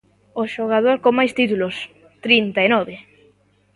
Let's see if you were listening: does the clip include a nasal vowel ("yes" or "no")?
no